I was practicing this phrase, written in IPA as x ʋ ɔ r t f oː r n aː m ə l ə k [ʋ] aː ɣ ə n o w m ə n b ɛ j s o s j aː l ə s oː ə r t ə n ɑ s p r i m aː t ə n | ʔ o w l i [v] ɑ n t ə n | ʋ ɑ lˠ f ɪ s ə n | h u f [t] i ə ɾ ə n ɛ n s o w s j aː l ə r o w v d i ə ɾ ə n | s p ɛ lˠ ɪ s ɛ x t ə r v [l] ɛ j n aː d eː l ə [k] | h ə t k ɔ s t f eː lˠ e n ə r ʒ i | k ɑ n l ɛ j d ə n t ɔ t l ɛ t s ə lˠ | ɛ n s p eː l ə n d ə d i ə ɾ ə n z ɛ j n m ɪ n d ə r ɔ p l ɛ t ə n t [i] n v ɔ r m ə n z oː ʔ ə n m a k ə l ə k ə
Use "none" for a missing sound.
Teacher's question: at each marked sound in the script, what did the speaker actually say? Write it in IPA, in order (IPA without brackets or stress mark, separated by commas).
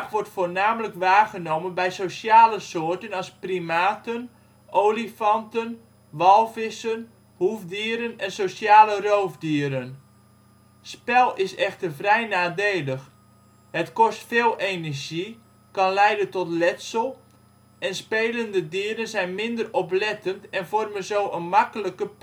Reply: ʋ, f, d, r, x, ɛ